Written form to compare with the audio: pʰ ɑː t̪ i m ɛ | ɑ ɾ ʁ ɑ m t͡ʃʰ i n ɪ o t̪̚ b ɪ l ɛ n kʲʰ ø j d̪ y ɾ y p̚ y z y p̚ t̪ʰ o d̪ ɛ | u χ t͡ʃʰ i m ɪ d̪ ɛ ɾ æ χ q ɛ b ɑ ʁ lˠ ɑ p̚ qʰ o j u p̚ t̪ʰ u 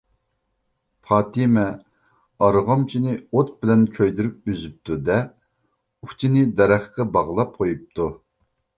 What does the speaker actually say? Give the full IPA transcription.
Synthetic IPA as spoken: pʰ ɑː t̪ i m ɛ | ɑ ɾ ʁ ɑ m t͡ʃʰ i n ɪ o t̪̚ b ɪ l ɛ n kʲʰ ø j d̪ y ɾ y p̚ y z y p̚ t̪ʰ u d̪ ɛ | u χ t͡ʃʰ i n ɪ d̪ ɛ ɾ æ χ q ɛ b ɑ ʁ lˠ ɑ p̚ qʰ o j u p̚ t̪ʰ u